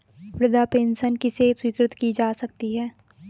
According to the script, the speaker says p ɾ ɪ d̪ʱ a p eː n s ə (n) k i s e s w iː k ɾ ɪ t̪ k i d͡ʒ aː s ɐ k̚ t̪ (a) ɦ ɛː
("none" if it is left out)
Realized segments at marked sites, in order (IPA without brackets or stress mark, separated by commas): n, i